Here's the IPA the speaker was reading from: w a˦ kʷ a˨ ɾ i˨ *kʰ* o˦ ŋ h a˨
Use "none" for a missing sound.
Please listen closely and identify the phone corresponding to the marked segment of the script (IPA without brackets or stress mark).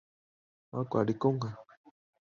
k